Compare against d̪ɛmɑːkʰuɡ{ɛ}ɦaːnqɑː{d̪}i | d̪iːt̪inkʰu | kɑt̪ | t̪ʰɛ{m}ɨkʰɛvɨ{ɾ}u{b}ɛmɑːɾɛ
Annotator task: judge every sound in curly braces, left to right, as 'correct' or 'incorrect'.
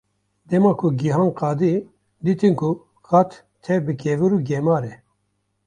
incorrect: i, correct, incorrect: b, correct, incorrect: ɡ

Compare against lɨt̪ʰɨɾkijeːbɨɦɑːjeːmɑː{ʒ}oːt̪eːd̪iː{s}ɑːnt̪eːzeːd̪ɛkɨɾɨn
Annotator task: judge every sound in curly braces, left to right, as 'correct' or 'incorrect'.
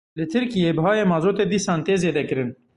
incorrect: z, correct

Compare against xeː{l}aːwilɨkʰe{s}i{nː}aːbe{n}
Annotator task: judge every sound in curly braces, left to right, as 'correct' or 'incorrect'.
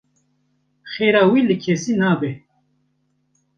incorrect: ɾ, correct, incorrect: n, incorrect: none

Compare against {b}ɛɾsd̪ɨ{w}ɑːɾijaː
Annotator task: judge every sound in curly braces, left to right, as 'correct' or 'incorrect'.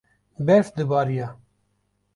correct, incorrect: b

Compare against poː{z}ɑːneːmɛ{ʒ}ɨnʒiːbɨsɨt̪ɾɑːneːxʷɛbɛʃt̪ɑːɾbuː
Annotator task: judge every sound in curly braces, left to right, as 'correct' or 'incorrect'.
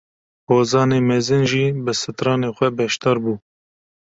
correct, incorrect: z

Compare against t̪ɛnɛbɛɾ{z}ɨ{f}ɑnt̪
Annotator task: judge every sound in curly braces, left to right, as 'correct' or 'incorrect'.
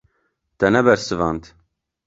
incorrect: s, incorrect: v

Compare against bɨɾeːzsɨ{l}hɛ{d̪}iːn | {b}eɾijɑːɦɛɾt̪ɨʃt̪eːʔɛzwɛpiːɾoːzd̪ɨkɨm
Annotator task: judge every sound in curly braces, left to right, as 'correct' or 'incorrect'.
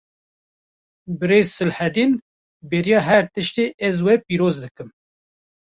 correct, correct, correct

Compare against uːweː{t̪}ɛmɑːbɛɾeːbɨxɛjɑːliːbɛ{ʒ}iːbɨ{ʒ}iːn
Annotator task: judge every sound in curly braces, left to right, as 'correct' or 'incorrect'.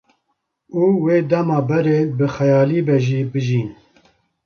incorrect: d̪, correct, correct

